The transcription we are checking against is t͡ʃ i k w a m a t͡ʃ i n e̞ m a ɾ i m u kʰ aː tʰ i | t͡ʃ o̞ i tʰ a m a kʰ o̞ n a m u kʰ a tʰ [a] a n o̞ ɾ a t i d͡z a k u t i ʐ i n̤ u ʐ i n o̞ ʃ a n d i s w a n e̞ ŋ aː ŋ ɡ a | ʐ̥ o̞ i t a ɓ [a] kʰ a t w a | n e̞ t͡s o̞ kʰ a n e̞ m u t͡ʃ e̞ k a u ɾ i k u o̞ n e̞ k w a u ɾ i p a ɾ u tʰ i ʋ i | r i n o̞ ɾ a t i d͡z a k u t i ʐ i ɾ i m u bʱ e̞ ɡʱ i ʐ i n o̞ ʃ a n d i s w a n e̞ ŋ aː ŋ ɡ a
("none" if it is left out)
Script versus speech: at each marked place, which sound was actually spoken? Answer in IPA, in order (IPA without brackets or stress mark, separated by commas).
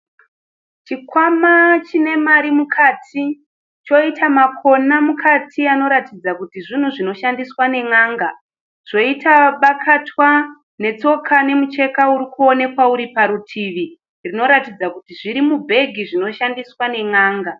i, a